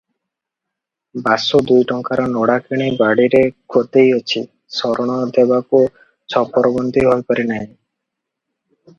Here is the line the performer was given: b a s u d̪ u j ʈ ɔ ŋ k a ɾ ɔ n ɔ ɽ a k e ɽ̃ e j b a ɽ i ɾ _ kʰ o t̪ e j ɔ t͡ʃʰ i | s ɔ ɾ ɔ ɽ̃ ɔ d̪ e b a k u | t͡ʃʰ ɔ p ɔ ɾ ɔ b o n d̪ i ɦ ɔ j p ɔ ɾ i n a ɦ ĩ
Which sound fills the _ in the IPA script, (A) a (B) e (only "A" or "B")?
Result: B